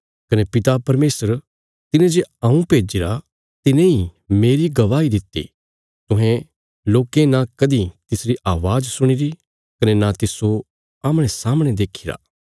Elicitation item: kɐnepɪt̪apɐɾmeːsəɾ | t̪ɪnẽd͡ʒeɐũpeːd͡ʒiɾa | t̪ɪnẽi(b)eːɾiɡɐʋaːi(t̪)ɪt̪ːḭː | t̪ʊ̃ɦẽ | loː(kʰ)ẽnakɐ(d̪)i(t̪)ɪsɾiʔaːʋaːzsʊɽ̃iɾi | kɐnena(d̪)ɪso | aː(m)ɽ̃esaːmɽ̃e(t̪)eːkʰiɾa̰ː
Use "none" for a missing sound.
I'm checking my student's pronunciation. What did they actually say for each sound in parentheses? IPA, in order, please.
m, d̪, k, d̪, t̪, t̪, m, d̪

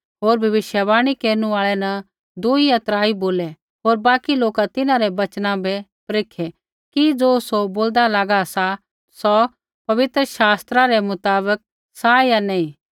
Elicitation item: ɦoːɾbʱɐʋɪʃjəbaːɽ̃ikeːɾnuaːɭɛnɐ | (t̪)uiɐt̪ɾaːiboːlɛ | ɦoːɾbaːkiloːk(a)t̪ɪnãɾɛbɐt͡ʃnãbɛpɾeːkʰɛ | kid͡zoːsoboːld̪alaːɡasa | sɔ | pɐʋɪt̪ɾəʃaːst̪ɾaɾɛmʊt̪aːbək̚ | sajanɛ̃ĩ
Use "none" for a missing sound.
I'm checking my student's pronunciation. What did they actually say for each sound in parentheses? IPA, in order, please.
d̪, a

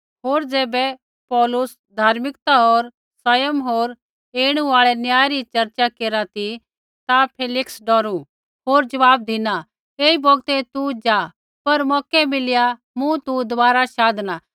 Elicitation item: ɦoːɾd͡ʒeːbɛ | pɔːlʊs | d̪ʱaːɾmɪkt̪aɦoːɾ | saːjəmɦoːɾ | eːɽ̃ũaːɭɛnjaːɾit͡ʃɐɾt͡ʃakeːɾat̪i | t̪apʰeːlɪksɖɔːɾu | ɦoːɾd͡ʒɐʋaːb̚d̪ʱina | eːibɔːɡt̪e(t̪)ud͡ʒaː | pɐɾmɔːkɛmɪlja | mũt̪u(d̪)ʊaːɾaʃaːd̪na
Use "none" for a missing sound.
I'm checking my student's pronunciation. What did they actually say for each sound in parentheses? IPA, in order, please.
t̪, d̪

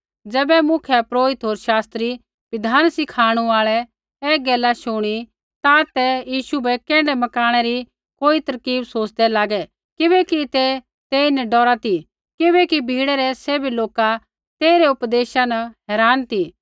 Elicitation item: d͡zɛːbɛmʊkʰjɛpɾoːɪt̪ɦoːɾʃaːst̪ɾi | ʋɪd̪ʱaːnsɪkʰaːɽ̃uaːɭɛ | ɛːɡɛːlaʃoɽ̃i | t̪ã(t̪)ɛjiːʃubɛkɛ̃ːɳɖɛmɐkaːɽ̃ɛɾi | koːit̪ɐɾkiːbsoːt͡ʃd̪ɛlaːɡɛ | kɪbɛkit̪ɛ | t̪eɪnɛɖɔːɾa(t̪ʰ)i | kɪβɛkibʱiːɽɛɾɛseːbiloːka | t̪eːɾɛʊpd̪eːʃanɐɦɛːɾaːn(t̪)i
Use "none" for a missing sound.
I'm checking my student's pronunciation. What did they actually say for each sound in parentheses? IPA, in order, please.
t̪, t̪, t̪

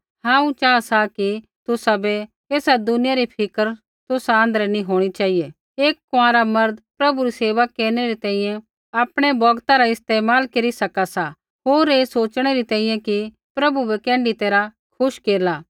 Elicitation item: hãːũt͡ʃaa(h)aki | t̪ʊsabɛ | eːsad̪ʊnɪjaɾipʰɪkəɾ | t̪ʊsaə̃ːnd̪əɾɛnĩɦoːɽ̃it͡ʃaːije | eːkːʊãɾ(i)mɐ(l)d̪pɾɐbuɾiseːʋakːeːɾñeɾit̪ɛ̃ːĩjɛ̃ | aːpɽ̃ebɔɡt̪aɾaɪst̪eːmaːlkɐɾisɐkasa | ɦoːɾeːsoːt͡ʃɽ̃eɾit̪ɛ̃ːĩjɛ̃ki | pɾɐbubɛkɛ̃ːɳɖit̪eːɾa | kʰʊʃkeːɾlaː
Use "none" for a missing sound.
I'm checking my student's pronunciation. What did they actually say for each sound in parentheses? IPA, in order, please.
s, a, ɾ

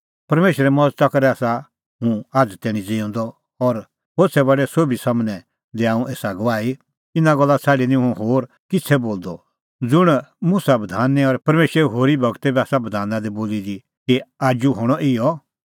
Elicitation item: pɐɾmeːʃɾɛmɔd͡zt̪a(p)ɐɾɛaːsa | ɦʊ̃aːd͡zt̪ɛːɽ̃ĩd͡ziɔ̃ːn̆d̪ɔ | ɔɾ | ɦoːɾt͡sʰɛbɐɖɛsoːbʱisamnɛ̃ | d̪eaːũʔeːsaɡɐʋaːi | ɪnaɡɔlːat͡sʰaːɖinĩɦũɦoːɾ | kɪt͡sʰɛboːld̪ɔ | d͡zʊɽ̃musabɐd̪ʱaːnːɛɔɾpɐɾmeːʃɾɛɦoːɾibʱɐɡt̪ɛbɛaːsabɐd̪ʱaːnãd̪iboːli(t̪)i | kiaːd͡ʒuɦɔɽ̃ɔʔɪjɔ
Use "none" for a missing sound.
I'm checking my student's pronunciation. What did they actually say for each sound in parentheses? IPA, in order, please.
k, d̪

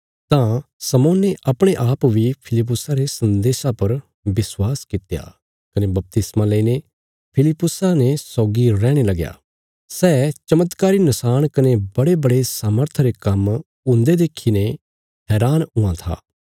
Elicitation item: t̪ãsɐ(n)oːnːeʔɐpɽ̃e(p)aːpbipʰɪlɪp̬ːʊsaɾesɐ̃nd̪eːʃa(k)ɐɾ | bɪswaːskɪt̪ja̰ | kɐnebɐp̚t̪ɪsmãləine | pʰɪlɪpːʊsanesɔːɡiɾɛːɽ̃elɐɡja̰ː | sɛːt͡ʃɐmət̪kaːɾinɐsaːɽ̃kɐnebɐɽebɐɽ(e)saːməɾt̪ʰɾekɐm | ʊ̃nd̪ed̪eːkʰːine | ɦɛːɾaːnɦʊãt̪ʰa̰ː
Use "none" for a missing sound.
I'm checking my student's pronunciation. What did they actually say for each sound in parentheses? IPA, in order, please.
m, ʔ, p, e

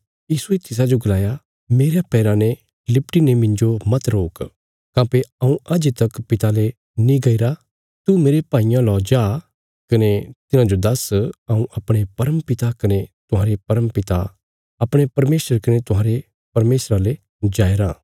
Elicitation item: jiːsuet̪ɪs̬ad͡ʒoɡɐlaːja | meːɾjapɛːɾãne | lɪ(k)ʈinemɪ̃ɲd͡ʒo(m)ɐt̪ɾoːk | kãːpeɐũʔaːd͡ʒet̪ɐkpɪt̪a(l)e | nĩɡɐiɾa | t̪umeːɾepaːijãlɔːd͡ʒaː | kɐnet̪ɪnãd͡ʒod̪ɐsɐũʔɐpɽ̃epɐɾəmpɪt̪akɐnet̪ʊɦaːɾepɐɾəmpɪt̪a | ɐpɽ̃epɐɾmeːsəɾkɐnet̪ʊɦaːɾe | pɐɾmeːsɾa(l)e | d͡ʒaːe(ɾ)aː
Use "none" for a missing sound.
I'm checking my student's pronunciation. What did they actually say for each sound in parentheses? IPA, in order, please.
p, m, l, l, ɾ

